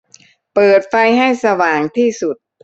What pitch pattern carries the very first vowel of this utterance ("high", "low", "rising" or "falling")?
low